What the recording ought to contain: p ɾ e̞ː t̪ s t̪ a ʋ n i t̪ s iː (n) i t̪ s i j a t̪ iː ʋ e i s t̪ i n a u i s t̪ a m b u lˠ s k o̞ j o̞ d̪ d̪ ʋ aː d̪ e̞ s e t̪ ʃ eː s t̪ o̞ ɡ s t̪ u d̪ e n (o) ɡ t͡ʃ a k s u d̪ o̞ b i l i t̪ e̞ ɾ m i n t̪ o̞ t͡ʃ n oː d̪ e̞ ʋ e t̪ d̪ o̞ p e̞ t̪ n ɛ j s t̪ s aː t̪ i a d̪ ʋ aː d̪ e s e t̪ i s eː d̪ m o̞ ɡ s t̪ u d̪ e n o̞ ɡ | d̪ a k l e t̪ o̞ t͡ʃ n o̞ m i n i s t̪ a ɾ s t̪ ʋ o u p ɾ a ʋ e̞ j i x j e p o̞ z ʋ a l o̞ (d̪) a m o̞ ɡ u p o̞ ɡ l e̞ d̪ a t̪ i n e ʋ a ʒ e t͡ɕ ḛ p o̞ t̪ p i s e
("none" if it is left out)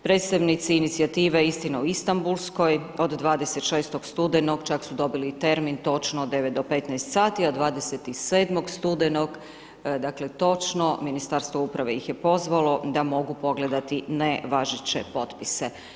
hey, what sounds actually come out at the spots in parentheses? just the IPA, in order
n, o, d̪

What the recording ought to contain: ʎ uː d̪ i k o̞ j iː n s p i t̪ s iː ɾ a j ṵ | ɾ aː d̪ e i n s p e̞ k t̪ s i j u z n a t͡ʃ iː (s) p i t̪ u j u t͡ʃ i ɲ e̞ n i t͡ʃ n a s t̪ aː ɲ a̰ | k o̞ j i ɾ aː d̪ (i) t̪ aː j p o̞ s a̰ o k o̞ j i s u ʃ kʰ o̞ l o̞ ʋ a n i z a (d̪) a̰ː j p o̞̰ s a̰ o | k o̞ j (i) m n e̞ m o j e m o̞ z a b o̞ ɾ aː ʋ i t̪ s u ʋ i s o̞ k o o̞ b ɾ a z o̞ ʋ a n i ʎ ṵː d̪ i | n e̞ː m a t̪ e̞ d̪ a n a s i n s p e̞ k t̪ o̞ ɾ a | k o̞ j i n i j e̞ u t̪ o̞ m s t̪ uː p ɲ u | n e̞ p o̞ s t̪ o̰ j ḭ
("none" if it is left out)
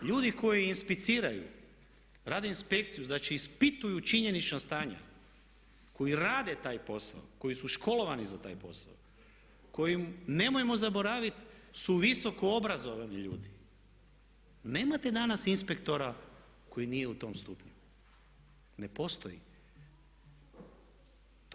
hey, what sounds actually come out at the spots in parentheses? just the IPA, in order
s, e, t̪, i

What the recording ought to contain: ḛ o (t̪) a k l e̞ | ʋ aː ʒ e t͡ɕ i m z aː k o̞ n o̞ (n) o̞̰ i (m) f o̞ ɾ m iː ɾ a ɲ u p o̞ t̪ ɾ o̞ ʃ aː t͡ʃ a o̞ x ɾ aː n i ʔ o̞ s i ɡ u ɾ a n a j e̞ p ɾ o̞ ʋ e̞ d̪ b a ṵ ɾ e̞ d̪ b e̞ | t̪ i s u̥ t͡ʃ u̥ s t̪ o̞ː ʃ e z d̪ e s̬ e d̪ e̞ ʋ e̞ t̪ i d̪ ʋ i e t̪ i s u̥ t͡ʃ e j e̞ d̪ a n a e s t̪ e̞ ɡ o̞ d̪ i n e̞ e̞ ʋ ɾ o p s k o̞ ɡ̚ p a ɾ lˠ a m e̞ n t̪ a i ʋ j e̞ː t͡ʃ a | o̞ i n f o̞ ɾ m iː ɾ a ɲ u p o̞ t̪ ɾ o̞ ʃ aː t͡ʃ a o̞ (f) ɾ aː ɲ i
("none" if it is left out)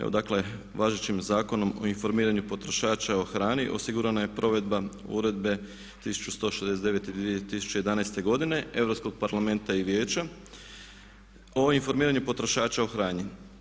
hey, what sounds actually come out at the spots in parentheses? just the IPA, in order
d̪, m, n, x

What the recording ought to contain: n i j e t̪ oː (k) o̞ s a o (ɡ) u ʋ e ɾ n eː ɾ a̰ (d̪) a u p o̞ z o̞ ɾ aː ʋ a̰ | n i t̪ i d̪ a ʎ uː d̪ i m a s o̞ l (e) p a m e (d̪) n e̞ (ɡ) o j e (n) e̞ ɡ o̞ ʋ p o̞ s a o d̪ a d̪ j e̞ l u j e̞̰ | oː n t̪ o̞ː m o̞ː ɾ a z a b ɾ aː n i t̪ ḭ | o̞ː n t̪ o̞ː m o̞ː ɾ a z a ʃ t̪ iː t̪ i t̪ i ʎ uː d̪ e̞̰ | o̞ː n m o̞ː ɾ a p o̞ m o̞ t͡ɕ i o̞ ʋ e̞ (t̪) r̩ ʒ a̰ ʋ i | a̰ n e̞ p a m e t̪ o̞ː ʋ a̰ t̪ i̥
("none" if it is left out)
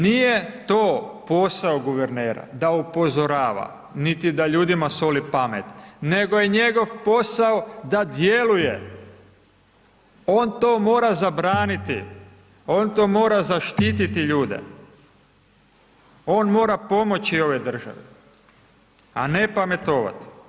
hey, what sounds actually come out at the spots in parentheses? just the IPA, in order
p, ɡ, d̪, i, t̪, ɡ, ɲ, d̪

